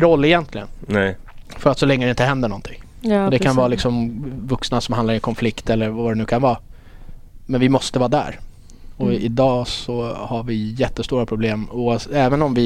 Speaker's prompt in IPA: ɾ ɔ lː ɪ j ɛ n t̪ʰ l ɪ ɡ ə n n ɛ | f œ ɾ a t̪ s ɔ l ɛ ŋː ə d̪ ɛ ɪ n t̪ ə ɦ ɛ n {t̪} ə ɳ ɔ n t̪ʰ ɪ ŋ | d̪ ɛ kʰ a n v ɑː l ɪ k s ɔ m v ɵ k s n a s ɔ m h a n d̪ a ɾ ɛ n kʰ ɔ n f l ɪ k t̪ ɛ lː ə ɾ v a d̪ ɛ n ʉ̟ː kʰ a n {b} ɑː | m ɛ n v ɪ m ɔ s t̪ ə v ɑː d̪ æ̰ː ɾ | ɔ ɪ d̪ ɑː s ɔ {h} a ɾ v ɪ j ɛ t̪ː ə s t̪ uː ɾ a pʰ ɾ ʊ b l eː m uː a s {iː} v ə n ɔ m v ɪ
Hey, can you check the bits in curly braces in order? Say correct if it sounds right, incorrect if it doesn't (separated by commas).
incorrect, incorrect, correct, incorrect